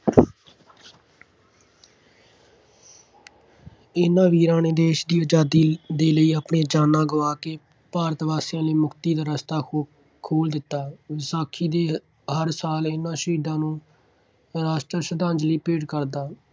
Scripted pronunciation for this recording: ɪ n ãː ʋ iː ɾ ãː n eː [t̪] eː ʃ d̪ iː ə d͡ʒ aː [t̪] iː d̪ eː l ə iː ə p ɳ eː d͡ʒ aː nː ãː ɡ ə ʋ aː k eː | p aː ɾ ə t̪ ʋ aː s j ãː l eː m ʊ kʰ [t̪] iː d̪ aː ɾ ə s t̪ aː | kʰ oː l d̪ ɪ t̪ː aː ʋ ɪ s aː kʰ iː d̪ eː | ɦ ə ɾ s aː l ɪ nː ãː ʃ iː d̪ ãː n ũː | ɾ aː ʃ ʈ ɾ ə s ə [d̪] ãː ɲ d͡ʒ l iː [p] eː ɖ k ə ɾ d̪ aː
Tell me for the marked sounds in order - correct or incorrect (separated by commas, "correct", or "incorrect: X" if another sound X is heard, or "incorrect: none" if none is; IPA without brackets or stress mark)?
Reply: incorrect: d̪, incorrect: d̪, correct, correct, correct